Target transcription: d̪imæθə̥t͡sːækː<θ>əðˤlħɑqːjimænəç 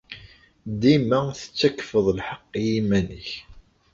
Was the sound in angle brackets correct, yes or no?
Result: no